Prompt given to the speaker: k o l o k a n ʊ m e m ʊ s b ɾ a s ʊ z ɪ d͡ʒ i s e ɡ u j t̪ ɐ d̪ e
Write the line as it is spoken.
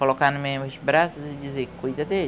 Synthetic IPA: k o l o k a n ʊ m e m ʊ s b ɾ a s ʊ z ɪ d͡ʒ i z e k u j d̪ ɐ d̪ e